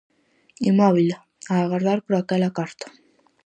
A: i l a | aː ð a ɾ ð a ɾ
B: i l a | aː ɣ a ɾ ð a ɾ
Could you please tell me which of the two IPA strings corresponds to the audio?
B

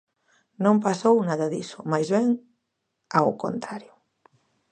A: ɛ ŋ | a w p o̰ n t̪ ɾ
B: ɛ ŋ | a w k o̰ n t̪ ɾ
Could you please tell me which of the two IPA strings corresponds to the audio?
B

